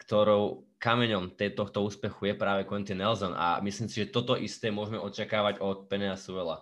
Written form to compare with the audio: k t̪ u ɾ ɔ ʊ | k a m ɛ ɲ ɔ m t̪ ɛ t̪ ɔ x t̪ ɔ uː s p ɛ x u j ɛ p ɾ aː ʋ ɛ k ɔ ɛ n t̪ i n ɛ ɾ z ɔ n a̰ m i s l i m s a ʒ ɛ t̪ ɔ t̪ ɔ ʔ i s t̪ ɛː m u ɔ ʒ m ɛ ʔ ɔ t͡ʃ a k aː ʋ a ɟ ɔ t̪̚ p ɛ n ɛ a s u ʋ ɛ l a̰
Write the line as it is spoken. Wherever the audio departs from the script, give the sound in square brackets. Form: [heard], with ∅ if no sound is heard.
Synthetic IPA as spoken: k t̪ [ɔ] ɾ ɔ ʊ | k a m ɛ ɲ ɔ m t̪ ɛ t̪ ɔ x t̪ ɔ uː s p ɛ x u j ɛ p ɾ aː ʋ ɛ k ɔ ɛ n t̪ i n ɛ [l] z ɔ n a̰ m i s l i m s [i] ʒ ɛ t̪ ɔ t̪ ɔ ʔ i s t̪ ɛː m [ʊ] ɔ ʒ m ɛ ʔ ɔ t͡ʃ a k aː ʋ a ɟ ɔ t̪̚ p ɛ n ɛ a s u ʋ ɛ l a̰